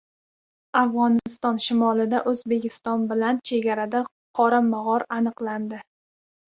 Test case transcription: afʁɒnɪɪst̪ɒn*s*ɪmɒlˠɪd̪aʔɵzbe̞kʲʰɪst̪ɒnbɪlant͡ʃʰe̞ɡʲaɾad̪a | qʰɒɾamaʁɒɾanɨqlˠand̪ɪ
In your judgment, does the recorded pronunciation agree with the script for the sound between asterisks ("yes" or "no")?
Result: no